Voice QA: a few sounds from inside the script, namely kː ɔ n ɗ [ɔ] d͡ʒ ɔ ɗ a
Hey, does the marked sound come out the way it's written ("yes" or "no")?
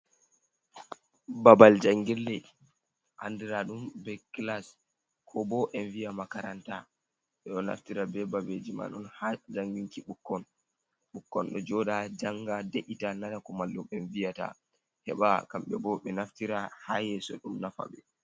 yes